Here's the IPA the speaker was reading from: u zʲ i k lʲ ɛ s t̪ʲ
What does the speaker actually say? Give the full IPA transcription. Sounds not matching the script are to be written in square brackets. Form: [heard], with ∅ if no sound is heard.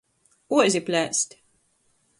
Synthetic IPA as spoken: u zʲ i [p] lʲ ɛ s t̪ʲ